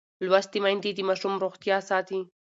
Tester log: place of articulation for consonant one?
alveolar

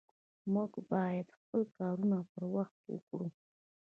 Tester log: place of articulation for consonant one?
labial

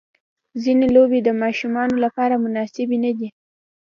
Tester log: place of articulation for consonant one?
alveolar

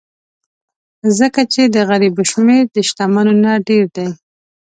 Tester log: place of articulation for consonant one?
alveolar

